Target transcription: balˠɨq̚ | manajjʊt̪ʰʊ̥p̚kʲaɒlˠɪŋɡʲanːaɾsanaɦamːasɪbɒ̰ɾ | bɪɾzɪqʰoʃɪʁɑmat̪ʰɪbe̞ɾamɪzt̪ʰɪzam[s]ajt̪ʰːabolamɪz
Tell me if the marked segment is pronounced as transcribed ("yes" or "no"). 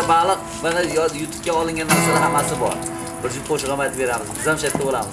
no